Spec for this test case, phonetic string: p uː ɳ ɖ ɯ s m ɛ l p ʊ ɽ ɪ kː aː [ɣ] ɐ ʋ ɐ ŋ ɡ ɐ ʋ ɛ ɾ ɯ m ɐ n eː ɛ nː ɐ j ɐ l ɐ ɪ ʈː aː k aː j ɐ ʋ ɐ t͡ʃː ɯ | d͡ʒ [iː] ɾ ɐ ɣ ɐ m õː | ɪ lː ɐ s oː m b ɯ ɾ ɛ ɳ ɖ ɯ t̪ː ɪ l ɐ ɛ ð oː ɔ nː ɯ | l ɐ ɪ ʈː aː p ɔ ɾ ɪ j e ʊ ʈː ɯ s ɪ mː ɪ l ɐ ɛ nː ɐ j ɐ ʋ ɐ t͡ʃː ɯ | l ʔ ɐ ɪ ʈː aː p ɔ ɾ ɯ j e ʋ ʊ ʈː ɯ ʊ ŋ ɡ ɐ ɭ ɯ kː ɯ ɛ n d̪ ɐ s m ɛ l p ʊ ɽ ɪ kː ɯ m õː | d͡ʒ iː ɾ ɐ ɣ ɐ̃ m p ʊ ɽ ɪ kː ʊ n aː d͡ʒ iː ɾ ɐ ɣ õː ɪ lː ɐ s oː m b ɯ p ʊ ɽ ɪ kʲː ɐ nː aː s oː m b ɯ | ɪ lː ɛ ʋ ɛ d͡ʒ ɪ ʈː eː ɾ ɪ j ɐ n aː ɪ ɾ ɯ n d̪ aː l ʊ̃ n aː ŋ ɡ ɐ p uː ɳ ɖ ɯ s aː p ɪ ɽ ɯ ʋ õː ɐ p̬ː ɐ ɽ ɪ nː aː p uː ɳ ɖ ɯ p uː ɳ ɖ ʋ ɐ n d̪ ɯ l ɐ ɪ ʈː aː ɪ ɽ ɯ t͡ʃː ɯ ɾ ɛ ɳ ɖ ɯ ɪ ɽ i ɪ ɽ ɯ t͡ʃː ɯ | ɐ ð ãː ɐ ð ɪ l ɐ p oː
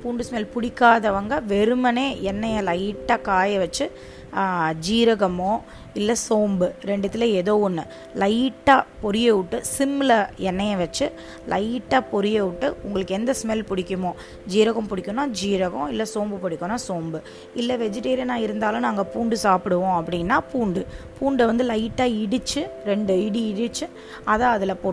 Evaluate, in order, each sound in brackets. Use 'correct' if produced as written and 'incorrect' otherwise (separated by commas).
incorrect, correct